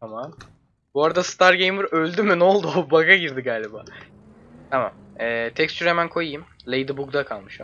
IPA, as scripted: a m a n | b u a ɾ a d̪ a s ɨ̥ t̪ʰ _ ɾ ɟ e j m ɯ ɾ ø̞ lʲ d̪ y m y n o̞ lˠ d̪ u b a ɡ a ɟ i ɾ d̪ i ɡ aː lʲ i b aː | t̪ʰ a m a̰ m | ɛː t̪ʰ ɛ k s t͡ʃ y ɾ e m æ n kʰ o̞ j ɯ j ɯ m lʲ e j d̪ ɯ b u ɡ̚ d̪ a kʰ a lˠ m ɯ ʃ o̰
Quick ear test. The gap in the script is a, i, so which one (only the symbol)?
a